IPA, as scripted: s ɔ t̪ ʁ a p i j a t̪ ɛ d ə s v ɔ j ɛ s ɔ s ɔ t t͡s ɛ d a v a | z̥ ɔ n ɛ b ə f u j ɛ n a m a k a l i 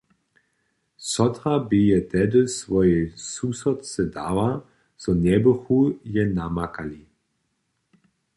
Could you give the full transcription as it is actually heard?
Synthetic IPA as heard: s ɔ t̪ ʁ a b i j ɛ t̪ ɛ d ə s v ɔ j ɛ s u s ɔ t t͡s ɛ d a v a | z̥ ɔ n ɛ b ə x u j ɛ n a m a k a l i